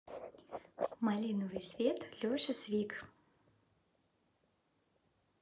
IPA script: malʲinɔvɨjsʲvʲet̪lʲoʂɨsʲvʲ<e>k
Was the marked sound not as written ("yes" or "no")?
yes